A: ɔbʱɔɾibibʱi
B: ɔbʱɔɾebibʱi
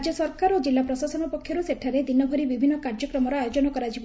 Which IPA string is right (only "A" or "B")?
A